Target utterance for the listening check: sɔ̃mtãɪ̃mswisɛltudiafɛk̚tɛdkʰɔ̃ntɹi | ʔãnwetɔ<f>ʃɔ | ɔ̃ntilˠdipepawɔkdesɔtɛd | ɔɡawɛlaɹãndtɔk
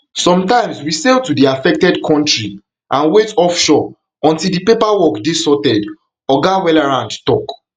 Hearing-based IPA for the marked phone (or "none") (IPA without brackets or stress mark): f